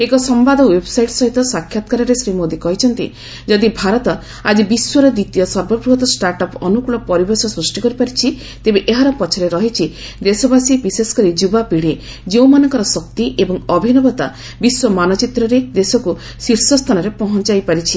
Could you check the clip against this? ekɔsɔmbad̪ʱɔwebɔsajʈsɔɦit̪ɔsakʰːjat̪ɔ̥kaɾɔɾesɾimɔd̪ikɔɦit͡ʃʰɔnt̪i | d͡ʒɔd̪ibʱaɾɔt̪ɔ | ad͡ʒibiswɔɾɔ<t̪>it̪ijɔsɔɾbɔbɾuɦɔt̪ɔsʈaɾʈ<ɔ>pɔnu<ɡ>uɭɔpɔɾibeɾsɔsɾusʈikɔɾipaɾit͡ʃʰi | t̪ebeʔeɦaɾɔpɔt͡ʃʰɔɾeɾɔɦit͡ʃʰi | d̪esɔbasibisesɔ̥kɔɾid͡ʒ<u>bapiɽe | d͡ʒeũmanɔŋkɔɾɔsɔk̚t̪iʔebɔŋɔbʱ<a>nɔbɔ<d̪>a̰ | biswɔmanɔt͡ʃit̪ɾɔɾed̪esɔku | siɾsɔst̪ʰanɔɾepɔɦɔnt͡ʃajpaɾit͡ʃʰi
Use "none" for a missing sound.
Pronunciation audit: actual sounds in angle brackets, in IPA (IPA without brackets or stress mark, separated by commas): d̪, ɔ, k, u, i, t̪